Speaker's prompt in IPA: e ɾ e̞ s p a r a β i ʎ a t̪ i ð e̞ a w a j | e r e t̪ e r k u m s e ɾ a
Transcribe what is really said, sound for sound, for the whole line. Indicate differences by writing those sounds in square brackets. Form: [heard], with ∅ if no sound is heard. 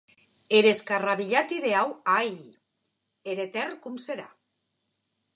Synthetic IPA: e ɾ e̞ s [k] a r a β i ʎ a t̪ i ð e̞ a w a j | e [ɾ] e t̪ e r k u m s e ɾ a